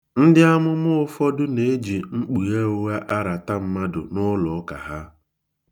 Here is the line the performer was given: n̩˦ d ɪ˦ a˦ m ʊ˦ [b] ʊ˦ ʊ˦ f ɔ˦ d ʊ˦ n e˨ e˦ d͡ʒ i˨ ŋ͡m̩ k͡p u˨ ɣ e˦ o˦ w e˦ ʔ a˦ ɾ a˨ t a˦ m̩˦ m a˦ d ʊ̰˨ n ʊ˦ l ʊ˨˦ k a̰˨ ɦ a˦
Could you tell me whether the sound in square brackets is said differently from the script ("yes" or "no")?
yes